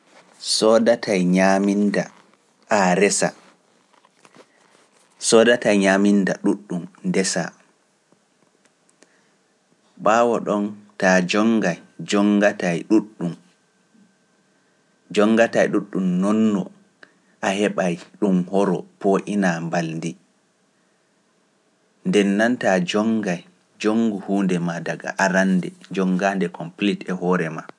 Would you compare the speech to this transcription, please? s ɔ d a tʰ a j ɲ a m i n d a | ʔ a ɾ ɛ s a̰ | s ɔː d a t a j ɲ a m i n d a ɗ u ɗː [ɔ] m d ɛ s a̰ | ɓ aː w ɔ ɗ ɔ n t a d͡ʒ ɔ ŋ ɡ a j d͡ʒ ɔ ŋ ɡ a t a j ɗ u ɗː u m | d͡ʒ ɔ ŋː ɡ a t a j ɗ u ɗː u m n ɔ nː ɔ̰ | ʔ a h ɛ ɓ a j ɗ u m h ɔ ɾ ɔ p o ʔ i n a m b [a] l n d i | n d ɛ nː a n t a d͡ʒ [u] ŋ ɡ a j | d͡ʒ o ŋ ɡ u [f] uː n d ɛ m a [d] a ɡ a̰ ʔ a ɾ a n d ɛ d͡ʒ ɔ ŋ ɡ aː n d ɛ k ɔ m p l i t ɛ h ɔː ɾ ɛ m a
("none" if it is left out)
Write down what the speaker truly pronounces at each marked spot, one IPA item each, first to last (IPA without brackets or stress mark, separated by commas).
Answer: u, a, ɔ, h, d